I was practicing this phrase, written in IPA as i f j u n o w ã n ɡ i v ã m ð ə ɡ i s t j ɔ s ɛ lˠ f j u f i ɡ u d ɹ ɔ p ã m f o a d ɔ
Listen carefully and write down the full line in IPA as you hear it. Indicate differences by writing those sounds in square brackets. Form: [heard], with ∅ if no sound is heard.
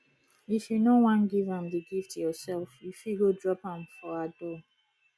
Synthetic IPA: i f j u n o w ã n ɡ i v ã m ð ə ɡ i [f] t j ɔ s ɛ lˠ f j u f i ɡ [o] d ɹ ɔ p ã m f [ɔ] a d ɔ